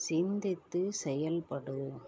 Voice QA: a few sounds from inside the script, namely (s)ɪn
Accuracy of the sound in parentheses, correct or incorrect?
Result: correct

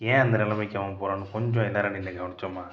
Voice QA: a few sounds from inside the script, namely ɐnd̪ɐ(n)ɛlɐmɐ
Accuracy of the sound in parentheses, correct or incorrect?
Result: correct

